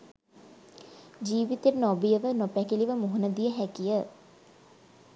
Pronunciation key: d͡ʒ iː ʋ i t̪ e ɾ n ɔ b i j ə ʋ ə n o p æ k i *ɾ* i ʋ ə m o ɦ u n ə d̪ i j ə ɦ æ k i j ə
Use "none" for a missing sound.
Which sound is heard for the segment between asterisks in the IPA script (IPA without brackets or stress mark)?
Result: l